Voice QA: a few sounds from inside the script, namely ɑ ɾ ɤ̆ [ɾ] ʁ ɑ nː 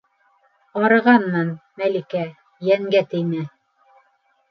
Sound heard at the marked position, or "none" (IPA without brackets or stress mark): none